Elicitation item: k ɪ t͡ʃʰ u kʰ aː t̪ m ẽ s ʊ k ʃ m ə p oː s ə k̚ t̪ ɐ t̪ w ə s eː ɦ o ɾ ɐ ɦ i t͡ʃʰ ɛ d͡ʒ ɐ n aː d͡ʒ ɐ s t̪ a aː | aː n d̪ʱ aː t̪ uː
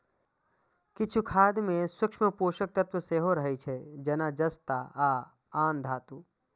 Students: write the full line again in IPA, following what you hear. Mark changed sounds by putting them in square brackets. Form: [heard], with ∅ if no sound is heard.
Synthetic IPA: k ɪ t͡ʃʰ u kʰ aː [d̪] m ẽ s ʊ k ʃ m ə p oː [ʃ] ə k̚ t̪ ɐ t̪ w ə s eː ɦ o ɾ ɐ ɦ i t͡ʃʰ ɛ d͡ʒ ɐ n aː d͡ʒ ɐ s t̪ a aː | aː n d̪ʱ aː t̪ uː